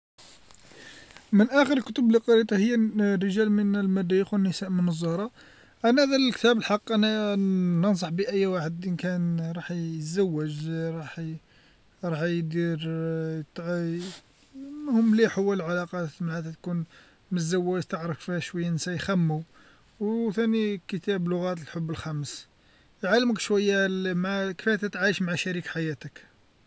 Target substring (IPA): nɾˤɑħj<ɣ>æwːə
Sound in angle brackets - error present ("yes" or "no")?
yes